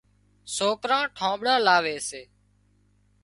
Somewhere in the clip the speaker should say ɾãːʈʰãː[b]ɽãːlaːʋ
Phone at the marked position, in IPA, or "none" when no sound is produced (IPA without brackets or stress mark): ɓ